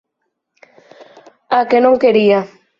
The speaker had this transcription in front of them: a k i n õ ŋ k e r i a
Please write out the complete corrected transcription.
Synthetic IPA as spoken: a k e n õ ŋ k e ɾ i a